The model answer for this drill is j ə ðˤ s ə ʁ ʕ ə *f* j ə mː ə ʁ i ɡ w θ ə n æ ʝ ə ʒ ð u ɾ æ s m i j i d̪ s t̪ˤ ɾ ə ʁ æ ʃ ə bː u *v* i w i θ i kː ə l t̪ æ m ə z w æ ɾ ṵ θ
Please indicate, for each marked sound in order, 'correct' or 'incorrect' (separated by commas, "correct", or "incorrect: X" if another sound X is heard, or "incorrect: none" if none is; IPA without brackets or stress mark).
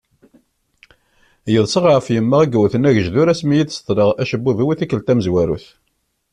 correct, incorrect: ð